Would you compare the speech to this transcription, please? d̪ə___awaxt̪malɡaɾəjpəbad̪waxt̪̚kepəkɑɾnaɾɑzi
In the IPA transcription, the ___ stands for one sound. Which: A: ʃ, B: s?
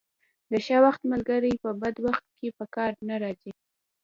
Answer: A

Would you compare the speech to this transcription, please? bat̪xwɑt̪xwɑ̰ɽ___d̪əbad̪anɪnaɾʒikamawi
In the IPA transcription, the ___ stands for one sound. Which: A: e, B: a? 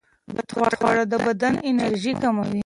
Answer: B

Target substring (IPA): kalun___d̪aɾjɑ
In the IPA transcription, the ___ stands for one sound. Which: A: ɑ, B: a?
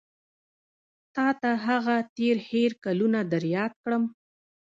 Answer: B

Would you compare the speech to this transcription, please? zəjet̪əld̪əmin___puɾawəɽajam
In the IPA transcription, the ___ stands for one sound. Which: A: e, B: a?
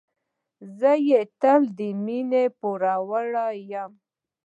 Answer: A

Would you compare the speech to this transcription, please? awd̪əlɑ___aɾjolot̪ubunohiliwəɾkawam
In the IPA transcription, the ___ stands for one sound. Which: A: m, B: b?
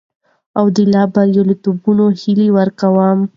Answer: B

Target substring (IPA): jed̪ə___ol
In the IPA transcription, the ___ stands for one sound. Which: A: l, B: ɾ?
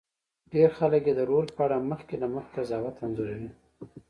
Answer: B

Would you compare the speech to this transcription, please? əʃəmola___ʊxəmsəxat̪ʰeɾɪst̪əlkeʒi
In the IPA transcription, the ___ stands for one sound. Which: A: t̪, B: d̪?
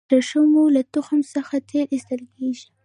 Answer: A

